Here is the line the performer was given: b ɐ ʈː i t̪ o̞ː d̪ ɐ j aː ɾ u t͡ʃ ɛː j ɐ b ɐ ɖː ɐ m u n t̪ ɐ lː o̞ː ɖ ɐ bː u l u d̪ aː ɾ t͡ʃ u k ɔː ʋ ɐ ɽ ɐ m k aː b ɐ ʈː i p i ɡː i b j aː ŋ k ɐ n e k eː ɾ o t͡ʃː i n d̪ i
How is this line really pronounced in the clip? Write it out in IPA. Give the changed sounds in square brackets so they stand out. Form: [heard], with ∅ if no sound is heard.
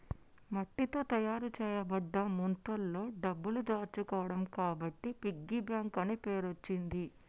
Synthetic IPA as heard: [m] ɐ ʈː i t̪ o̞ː [t̪] ɐ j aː ɾ u t͡ʃ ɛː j ɐ b ɐ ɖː ɐ m u n t̪ ɐ lː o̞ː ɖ ɐ bː u l u d̪ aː ɾ t͡ʃ u k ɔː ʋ ɐ ɽ ɐ m k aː b ɐ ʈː i p i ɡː i b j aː ŋ k ɐ n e [p] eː ɾ o t͡ʃː i n d̪ i